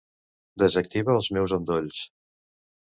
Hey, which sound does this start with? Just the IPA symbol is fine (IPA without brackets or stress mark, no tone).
d̪